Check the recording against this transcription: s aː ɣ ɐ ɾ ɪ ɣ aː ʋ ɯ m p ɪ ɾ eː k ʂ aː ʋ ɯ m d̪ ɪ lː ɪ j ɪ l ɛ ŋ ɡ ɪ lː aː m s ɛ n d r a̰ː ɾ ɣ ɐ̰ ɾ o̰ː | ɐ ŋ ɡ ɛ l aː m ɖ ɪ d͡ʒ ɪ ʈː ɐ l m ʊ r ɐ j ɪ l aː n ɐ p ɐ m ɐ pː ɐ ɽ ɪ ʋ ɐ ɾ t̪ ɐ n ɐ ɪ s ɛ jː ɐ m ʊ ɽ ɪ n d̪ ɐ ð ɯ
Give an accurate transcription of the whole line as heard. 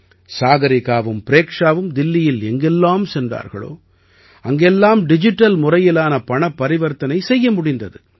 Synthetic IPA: s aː ɣ ɐ ɾ ɪ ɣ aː ʋ ɯ m p ɪ ɾ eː k ʂ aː ʋ ɯ m d̪ ɪ lː ɪ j ɪ l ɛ ŋ ɡ ɪ lː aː m s ɛ n d r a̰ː ɾ ɣ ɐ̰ ɭ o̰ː | ɐ ŋ ɡ ɛ lː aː m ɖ ɪ d͡ʒ ɪ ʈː ɐ l m ʊ r ɐ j ɪ l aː n ɐ p ɐ ɳ ɐ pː ɐ ɾ ɪ ʋ ɐ ɾ t̪ ɐ n ɐ ɪ s ɛ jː ɐ m ʊ ɽ ɪ n d̪ ɐ ð ɯ